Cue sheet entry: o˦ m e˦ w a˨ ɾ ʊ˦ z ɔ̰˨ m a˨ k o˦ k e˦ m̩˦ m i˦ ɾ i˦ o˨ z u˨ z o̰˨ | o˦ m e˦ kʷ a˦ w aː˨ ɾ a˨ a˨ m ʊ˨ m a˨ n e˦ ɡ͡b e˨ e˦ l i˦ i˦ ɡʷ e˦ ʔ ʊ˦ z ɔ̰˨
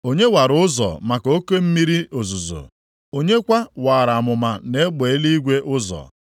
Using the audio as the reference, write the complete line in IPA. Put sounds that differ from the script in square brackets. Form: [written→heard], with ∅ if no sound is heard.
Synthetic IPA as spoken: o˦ [m→ɲ] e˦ w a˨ ɾ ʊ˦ z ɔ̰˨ m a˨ k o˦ k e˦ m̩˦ m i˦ ɾ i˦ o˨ z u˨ z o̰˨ | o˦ [m→ɲ] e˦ kʷ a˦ w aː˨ ɾ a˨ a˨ m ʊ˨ m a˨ n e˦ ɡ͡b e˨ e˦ l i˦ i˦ ɡʷ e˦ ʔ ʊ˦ z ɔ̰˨